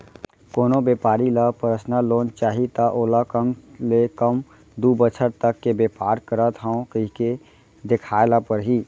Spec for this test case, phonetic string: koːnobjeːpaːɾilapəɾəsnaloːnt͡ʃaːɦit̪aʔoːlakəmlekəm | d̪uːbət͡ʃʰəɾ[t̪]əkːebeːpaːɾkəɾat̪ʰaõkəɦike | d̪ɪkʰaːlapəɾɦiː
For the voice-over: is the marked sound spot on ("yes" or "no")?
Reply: yes